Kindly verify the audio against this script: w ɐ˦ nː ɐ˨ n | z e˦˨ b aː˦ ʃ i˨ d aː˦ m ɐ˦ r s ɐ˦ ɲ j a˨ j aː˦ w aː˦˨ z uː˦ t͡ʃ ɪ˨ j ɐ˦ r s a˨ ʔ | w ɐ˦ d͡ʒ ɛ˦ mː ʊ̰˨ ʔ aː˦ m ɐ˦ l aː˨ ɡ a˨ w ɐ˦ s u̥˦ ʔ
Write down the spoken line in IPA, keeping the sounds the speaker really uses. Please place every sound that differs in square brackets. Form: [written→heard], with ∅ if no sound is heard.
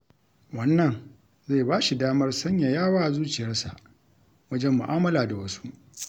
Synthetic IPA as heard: w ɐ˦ nː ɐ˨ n | z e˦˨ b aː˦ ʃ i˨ d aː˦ m ɐ˦ r s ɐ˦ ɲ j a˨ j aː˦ w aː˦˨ z uː˦ t͡ʃ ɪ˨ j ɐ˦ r s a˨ ʔ | w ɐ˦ d͡ʒ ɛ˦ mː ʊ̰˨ ʔ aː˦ m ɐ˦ l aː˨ [ɡ→d] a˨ w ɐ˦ s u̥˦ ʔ